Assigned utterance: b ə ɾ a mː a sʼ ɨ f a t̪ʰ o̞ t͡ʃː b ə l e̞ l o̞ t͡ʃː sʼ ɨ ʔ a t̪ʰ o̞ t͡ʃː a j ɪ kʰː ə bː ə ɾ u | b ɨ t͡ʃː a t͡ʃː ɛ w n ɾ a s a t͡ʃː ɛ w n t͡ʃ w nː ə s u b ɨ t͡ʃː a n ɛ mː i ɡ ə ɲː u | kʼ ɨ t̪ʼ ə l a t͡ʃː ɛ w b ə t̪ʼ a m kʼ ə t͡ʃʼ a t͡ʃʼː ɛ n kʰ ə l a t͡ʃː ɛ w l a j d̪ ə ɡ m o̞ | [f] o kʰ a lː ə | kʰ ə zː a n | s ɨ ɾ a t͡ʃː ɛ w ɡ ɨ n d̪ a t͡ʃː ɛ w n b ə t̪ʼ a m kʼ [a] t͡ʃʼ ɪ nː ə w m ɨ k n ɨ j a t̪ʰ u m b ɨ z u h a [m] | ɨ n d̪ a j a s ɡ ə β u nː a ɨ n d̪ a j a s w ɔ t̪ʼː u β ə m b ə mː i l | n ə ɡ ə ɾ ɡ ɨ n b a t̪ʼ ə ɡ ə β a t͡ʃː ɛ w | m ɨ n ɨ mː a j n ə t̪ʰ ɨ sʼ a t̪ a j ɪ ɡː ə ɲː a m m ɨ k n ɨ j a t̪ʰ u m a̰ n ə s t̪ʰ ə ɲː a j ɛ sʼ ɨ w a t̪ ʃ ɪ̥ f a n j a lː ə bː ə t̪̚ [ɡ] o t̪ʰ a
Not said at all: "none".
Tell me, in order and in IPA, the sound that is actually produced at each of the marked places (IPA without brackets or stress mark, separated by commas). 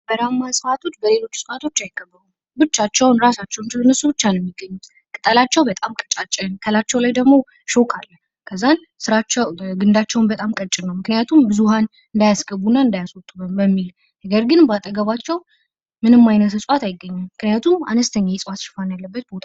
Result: ʃ, ə, n, b